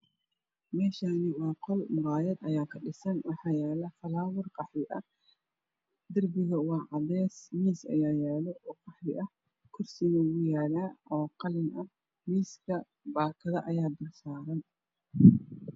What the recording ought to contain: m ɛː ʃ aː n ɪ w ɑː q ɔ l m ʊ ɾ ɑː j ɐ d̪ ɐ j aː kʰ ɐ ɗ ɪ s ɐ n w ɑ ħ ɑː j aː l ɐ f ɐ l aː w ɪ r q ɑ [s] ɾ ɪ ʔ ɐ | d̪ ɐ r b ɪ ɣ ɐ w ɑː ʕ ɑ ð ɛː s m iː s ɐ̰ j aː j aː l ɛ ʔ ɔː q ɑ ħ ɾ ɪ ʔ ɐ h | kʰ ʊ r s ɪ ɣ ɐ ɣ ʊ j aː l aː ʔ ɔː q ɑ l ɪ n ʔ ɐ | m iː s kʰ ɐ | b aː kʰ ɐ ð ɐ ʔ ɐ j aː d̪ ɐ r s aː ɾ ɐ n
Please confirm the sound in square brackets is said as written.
no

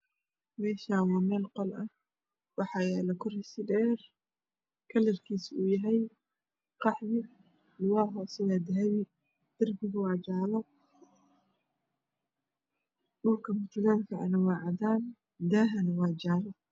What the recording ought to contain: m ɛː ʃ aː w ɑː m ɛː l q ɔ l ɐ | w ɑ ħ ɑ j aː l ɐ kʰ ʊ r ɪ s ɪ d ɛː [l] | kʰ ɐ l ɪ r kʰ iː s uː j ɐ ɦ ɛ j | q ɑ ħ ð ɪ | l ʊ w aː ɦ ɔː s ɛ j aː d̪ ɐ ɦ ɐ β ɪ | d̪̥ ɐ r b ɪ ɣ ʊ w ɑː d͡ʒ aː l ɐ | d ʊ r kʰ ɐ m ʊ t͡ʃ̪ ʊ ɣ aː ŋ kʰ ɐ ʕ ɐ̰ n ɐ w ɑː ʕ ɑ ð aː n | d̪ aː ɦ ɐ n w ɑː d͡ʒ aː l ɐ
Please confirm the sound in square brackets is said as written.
no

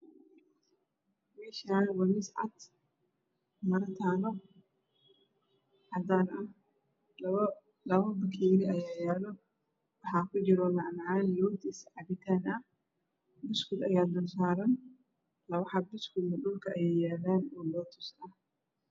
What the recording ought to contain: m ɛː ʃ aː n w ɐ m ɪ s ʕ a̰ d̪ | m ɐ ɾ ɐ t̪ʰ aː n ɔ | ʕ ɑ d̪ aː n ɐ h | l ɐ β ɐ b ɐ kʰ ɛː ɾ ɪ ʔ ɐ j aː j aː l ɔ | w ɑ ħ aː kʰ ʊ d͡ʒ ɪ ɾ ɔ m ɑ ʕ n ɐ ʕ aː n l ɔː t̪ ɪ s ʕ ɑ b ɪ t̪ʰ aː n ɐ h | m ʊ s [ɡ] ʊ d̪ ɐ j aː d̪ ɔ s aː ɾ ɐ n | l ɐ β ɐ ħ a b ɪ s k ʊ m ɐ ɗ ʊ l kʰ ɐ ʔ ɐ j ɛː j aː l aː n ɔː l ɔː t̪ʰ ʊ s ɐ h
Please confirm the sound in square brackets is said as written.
no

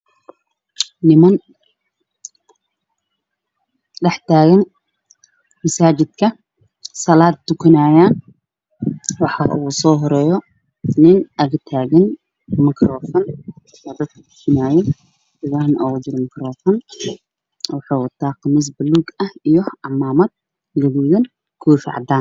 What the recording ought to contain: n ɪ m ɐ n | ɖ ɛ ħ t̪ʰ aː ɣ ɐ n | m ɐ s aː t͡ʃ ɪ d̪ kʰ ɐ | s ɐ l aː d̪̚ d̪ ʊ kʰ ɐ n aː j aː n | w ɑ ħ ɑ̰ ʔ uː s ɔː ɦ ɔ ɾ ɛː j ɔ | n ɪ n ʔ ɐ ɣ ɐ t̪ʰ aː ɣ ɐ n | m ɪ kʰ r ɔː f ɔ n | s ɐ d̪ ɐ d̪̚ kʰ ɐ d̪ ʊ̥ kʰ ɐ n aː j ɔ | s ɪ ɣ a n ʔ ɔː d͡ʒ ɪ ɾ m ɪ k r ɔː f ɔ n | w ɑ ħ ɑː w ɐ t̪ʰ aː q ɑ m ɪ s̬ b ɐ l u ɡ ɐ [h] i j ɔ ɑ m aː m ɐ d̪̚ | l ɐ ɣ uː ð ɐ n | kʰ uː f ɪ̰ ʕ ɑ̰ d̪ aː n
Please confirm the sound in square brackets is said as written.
yes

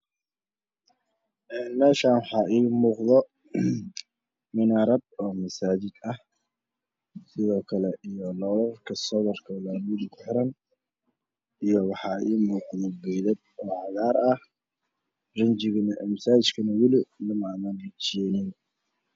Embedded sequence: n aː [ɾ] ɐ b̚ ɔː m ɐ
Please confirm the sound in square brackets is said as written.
yes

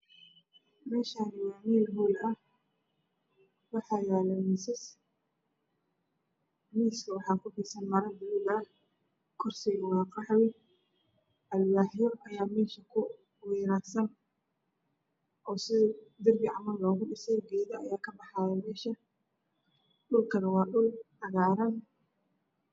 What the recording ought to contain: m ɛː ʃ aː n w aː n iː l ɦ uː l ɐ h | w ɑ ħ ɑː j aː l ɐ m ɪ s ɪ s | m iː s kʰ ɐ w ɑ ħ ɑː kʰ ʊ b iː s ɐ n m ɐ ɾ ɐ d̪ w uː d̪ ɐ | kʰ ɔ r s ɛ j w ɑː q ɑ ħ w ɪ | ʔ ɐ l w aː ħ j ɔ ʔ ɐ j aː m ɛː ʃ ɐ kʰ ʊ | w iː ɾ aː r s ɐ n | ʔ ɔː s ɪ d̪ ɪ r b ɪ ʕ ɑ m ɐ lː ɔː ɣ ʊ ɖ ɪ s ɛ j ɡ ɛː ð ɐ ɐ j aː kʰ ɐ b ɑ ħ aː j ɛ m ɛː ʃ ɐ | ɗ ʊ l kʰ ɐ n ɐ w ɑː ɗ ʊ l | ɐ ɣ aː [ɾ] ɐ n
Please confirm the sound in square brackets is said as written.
yes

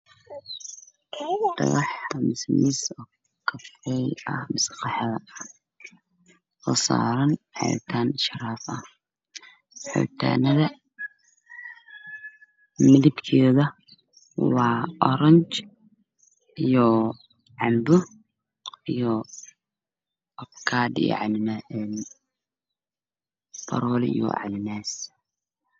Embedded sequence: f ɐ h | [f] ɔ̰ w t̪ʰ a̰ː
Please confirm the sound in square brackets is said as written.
no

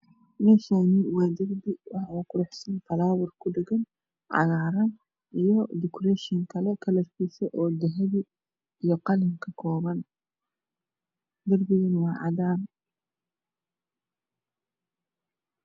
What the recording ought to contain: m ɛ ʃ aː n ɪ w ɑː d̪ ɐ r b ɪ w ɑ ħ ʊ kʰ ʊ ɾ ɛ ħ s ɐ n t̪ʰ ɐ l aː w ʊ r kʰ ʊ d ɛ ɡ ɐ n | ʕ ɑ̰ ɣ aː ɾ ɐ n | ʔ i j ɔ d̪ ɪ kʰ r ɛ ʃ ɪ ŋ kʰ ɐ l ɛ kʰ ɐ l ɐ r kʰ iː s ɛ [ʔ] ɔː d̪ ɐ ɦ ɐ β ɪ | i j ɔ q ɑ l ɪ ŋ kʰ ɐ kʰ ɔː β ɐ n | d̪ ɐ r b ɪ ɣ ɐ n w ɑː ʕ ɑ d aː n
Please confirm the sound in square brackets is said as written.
yes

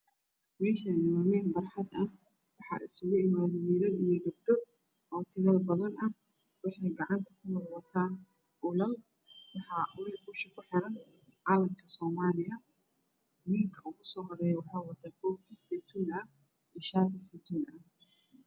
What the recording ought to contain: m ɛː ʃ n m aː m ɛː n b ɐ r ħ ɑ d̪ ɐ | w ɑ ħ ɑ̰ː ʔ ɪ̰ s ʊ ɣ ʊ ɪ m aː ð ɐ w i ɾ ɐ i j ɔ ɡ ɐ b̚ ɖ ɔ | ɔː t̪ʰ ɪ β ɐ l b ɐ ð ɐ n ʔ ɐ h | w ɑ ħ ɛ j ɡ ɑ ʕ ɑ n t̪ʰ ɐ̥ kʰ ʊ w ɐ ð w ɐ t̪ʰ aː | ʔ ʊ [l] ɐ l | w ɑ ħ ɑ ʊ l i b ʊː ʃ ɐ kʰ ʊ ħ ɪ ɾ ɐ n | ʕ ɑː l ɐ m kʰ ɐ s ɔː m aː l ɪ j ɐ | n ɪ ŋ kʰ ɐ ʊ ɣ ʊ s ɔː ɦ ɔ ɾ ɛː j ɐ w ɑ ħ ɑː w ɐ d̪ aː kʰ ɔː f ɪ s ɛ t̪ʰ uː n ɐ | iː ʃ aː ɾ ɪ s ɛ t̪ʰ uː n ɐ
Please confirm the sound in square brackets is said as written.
yes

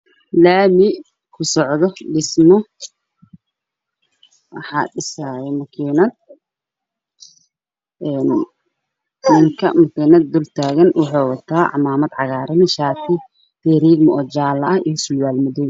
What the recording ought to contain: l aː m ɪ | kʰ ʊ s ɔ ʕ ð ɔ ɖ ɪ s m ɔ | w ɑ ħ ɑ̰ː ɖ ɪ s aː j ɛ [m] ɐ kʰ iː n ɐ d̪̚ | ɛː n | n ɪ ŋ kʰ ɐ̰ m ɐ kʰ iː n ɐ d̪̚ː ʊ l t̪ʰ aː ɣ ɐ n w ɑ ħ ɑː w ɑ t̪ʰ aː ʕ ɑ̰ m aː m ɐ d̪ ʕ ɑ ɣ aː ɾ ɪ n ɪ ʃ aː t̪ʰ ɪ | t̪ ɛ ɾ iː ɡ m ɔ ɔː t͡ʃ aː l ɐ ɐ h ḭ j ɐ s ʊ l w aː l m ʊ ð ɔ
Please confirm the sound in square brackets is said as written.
yes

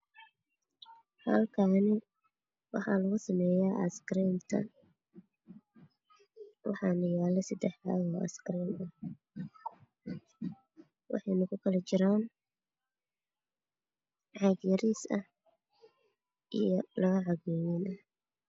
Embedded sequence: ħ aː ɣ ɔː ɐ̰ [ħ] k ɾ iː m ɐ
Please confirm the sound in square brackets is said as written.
no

